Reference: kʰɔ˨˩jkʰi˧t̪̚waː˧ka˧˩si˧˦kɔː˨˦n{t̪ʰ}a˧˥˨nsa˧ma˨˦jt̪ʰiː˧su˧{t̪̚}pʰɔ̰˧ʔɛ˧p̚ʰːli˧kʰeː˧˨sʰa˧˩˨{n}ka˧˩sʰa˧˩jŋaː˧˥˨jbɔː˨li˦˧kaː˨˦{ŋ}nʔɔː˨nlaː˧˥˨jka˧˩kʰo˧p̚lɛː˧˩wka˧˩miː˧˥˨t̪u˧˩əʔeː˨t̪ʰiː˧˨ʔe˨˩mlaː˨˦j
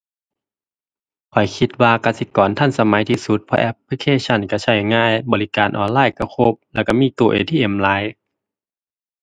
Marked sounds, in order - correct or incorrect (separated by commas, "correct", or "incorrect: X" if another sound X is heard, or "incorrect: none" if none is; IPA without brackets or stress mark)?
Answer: correct, correct, correct, incorrect: none